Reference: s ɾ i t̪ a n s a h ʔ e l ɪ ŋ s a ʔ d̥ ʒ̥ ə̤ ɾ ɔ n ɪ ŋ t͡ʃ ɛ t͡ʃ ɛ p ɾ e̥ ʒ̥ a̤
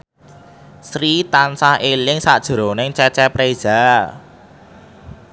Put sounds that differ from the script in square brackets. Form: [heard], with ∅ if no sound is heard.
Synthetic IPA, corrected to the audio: s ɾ i t̪ a n s a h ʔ e l ɪ ŋ s a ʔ d̥ ʒ̥ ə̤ ɾ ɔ n ɪ ŋ t͡ʃ ɛ t͡ʃ ɛ p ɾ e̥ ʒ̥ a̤